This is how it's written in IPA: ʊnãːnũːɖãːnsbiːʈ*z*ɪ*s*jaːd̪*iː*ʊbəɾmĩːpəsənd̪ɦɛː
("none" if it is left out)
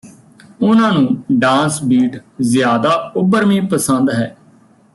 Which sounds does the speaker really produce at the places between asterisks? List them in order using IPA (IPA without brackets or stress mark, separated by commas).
z, none, aː